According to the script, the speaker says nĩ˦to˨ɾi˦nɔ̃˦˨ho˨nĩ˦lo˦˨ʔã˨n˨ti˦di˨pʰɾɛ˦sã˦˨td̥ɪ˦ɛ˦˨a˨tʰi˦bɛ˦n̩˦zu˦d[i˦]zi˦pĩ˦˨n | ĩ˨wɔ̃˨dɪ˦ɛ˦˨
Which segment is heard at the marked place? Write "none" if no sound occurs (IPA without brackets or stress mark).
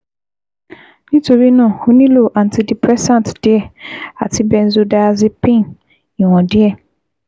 a˦